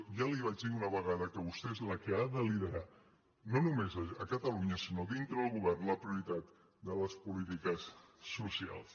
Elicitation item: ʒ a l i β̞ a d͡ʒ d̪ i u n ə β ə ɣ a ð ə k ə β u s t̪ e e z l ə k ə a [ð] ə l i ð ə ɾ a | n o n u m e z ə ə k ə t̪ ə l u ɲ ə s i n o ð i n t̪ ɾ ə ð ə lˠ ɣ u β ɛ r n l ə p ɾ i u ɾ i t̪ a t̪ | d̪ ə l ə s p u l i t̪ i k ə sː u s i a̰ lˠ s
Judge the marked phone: correct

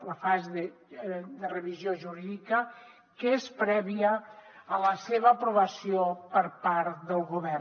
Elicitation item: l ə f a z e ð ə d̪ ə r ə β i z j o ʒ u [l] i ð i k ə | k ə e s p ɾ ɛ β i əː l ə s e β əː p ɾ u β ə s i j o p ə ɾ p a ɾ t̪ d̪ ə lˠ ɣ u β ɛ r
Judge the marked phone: incorrect: ɾ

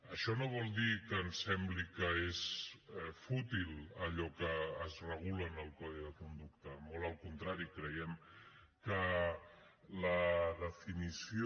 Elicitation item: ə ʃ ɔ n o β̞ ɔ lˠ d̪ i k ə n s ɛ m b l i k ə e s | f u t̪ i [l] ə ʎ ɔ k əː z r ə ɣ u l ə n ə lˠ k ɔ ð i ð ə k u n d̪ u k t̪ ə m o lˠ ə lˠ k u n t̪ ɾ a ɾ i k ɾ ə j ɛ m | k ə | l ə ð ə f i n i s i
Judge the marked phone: correct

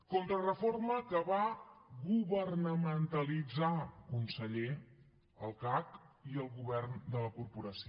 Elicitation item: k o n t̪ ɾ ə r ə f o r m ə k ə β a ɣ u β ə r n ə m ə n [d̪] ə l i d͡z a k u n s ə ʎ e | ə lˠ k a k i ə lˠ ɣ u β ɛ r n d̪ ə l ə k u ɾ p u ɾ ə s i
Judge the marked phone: incorrect: t̪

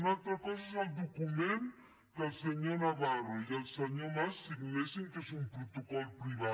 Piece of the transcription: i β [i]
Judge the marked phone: incorrect: a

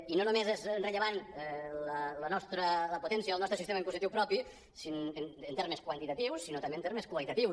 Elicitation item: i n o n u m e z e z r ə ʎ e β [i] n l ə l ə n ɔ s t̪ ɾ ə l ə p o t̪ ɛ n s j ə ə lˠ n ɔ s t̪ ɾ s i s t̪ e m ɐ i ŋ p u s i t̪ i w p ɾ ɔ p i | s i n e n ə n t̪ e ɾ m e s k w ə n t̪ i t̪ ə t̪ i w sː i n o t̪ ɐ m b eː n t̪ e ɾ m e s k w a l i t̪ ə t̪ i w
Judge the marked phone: incorrect: a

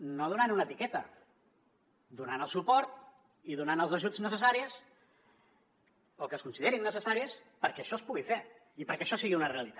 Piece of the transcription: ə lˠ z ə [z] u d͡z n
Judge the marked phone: incorrect: ʒ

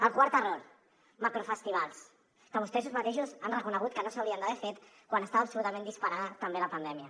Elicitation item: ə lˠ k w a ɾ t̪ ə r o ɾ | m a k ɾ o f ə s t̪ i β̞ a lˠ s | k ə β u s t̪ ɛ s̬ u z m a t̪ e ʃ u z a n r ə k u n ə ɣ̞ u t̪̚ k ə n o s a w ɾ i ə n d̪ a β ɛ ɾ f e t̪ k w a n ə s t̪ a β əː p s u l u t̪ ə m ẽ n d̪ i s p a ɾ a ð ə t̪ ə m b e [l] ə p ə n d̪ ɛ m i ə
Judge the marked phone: correct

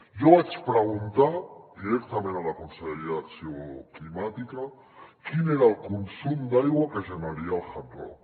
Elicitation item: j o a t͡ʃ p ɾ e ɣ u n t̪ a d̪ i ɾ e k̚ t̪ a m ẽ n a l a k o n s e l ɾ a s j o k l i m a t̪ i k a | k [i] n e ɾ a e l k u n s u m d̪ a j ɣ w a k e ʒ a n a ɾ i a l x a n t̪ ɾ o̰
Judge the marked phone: correct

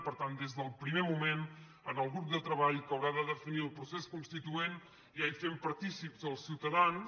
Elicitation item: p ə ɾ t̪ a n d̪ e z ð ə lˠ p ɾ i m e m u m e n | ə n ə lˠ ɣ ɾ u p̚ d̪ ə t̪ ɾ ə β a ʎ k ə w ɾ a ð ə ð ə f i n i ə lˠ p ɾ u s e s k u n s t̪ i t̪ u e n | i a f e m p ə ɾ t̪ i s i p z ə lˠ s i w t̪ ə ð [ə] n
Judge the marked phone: incorrect: a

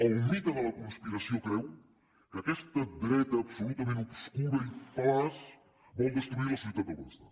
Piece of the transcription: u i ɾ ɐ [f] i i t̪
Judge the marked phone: incorrect: s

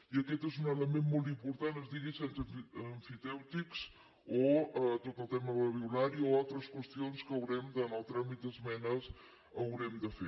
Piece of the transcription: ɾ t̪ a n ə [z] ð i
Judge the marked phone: correct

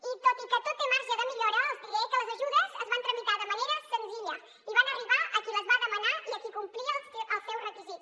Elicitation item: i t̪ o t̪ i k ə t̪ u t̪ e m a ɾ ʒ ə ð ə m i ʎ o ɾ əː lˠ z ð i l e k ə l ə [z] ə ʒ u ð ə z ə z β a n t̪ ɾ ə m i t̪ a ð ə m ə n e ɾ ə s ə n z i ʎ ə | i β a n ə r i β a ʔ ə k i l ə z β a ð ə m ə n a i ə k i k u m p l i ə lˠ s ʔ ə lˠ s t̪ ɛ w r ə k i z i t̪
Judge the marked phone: correct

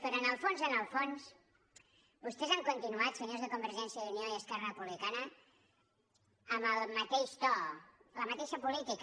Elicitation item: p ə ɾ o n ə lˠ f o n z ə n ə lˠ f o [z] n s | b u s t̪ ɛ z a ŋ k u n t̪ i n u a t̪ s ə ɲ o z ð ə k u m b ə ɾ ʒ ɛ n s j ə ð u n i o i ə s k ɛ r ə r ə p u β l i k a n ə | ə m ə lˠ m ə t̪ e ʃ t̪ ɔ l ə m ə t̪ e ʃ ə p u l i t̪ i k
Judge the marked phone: incorrect: none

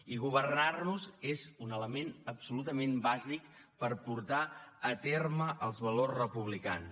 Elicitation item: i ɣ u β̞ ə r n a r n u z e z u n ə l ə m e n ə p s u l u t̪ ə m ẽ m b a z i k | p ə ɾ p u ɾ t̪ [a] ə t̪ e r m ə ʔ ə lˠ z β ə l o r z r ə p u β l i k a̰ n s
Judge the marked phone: correct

